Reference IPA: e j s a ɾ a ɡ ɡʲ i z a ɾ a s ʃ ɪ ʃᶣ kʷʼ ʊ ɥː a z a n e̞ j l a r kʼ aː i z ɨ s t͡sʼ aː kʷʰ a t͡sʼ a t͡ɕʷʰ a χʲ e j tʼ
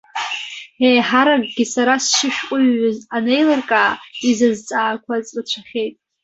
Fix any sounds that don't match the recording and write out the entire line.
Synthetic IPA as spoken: e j ħ a ɾ a ɡ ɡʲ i s a ɾ a s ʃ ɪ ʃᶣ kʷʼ ʊ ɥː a z a n e̞ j l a r kʼ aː i z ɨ z t͡sʼ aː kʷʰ a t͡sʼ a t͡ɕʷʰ a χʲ e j tʼ